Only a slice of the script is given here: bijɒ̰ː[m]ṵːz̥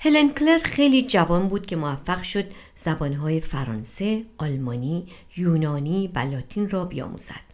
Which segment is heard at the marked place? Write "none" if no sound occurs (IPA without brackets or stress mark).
m